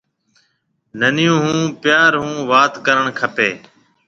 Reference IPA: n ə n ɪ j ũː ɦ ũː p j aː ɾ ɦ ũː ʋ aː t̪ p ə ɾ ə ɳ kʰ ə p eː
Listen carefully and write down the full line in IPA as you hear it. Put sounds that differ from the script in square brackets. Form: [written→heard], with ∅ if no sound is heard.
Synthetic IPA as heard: n ə n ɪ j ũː ɦ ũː p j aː ɾ ɦ ũː ʋ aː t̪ [p→k] ə ɾ ə ɳ kʰ ə p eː